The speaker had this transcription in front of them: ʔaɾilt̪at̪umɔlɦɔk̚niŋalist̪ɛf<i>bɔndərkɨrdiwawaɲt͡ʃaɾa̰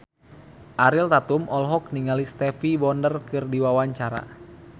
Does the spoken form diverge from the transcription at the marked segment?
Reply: no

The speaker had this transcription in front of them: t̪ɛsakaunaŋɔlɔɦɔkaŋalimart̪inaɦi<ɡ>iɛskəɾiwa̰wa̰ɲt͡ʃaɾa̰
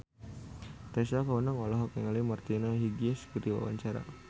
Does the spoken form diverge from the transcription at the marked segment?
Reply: no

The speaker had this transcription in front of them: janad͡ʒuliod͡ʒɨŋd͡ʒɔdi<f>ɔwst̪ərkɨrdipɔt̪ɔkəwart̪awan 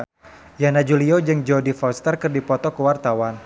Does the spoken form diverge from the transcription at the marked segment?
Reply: no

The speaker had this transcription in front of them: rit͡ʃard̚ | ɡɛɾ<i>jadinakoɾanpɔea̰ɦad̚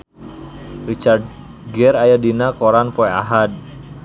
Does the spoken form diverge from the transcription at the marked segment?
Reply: yes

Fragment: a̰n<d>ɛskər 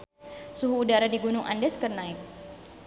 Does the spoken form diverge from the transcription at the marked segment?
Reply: no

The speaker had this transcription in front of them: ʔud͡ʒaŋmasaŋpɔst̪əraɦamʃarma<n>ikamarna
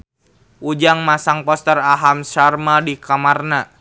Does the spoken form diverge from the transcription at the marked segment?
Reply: yes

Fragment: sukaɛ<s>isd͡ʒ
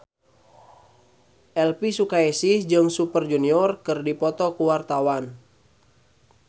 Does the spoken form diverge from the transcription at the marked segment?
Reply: no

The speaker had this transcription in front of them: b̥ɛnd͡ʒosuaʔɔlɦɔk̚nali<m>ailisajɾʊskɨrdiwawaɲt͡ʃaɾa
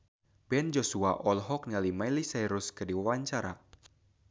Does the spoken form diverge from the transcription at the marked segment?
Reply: no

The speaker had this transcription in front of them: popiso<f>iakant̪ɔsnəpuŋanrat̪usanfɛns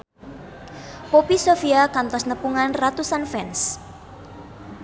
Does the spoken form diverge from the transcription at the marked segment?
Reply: no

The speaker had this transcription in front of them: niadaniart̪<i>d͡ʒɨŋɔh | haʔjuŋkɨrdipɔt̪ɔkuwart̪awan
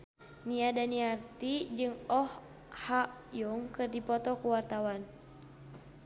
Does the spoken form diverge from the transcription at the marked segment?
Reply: no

